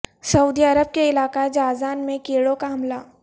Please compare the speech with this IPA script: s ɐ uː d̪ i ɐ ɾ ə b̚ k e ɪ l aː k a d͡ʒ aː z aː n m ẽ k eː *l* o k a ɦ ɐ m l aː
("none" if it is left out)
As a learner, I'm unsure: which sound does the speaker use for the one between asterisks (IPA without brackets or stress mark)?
ɽ